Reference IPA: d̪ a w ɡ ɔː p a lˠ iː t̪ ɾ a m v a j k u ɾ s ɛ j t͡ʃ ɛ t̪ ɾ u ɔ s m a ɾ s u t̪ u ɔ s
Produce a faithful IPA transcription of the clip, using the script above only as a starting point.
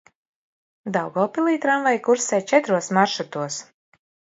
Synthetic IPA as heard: d̪ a w ɡ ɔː p i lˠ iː t̪ ɾ a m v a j k u ɾ s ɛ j t͡ʃ ɛ t̪ ɾ u ɔ s m a ɾ ʃ u t̪ u ɔ s